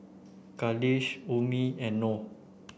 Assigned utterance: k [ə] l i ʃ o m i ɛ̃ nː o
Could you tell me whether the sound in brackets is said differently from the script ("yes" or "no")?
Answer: yes